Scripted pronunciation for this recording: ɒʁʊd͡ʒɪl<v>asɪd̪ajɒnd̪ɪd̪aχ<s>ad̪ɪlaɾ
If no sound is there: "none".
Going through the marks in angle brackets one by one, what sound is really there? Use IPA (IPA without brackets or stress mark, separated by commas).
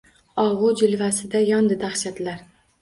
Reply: v, ʃ